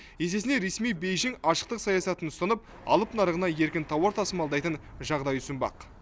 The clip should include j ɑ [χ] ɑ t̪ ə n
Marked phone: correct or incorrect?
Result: incorrect